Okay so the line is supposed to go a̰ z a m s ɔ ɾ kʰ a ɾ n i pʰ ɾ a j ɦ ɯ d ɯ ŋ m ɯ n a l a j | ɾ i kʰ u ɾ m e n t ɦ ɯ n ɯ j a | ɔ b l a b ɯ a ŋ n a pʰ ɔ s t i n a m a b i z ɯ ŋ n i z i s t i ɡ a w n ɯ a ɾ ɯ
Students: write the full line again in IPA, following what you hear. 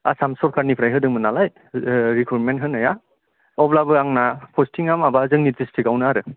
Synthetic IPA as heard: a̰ s a m s ɔ ɾ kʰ a ɾ n i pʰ ɾ a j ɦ ɯ d ɯ ŋ m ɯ n a l a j | ɾ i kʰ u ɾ m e n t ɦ ɯ n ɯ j a | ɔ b l a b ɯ a ŋ n a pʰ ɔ s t i ŋ a m a b a z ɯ ŋ n i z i s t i ɡ a w n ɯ a ɾ ɯ